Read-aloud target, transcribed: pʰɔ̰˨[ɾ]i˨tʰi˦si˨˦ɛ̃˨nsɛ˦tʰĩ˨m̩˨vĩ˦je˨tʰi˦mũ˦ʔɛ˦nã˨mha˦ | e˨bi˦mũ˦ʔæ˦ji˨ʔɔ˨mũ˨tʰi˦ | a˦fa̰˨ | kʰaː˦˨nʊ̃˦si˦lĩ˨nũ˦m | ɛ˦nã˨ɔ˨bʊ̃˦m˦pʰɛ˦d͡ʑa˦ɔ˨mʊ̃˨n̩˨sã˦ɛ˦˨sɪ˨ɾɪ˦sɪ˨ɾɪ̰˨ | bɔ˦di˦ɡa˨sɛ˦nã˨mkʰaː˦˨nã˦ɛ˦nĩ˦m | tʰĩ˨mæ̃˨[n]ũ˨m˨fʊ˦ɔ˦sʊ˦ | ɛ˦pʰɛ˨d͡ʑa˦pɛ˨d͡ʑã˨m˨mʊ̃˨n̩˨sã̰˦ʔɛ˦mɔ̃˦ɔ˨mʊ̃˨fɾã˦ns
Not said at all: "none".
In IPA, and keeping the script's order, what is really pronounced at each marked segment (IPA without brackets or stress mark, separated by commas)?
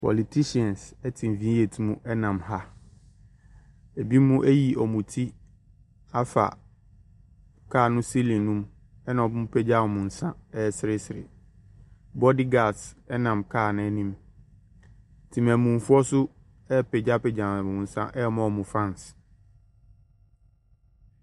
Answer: l, m